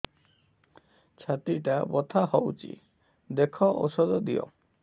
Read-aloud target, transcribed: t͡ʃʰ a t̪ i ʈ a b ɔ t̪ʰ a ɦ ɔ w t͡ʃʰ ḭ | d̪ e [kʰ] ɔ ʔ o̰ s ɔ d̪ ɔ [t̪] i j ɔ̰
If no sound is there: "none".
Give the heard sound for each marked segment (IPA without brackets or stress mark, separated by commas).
kʰ, d̪